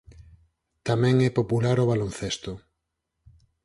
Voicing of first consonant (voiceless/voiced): voiceless